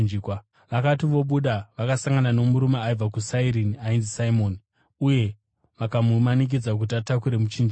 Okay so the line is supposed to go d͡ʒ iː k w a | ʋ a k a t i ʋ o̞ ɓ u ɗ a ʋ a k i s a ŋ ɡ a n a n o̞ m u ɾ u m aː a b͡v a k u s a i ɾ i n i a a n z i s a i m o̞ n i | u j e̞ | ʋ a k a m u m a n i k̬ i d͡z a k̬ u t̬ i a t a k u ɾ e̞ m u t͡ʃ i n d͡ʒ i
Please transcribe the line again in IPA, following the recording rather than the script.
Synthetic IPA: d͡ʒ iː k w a | ʋ a k a t i ʋ o̞ ɓ u ɗ a ʋ a k a s a ŋ ɡ a n a n o̞ m u ɾ u m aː i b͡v a k u s a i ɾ i n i a i n z i s a i m o̞ n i | u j e̞ | ʋ a k a m u m a n i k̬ i d͡z a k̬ u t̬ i a t a k u ɾ e̞ m u t͡ʃ i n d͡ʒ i